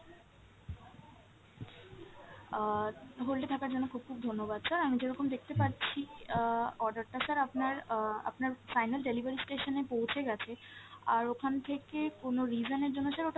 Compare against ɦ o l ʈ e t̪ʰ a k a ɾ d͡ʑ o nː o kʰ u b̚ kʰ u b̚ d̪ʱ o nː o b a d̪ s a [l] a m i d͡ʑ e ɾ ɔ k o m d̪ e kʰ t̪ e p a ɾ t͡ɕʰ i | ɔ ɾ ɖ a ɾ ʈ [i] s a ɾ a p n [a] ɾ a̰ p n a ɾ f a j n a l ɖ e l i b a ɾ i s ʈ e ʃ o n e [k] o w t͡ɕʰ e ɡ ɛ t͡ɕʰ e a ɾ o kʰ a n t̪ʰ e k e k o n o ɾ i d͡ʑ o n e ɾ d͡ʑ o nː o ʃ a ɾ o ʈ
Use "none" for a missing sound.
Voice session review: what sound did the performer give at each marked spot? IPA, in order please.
ɾ, a, a, p

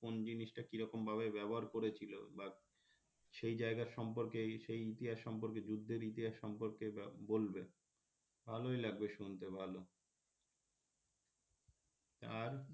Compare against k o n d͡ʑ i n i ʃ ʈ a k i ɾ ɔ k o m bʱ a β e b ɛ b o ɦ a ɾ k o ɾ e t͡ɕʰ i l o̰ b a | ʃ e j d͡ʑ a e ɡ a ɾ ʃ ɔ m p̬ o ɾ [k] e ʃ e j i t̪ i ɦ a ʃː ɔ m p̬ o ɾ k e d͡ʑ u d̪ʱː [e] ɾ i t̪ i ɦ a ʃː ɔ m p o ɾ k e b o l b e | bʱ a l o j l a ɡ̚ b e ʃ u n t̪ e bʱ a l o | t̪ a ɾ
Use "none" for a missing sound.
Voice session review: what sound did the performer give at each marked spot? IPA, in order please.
k, e

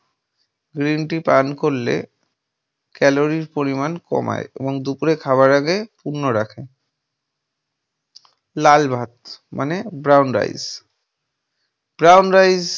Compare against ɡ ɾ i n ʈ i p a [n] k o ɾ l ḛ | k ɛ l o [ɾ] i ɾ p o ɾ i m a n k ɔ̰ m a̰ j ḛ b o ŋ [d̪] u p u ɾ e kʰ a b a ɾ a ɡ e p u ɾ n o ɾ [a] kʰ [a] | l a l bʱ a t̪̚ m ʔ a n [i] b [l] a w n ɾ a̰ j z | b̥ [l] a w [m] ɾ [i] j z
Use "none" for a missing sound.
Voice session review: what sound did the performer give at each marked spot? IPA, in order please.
n, ɾ, d̪, a, e, e, ɾ, ɾ, n, a

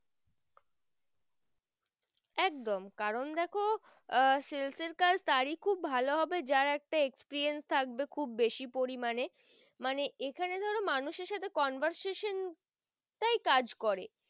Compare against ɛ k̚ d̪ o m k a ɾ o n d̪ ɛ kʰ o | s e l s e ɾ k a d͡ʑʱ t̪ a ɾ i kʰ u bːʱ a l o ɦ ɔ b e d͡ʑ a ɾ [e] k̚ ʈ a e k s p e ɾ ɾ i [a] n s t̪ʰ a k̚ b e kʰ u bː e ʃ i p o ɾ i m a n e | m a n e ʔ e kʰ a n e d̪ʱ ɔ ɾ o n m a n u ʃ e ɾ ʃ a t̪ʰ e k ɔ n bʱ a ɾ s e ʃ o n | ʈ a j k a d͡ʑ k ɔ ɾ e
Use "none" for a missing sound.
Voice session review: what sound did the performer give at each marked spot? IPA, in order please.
ɛ, e

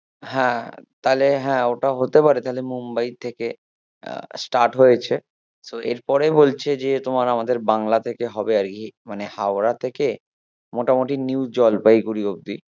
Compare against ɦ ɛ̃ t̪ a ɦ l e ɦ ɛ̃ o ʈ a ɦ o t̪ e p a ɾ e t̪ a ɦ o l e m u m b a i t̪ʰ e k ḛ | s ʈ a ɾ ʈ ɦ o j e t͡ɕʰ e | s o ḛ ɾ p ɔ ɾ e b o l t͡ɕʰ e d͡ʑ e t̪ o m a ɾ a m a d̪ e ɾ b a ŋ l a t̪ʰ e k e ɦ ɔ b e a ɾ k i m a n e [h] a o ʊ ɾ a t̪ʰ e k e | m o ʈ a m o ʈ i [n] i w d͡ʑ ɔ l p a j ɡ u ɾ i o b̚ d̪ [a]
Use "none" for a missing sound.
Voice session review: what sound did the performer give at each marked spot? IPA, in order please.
h, n, i

